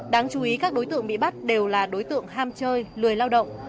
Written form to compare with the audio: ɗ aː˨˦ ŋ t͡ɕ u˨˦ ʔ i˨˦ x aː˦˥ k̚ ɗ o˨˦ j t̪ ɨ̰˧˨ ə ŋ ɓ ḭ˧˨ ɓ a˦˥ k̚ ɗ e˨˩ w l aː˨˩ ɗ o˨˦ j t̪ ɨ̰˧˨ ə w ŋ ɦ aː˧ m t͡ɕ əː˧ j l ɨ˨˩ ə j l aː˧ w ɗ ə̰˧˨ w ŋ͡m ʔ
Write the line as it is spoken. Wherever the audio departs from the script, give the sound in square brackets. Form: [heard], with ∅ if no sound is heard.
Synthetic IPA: ɗ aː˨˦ ŋ t͡ɕ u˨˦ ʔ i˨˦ [k] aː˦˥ k̚ ɗ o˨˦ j t̪ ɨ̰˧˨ ə ŋ ɓ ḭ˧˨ ɓ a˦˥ [t̚] ɗ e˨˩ w l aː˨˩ ɗ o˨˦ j t̪ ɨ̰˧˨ ə [∅] ŋ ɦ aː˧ m t͡ɕ əː˧ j l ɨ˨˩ ə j l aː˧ w ɗ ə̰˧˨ w ŋ͡m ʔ